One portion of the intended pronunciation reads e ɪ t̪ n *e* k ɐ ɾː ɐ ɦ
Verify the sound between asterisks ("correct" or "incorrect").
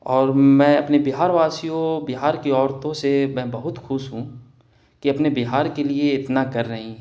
incorrect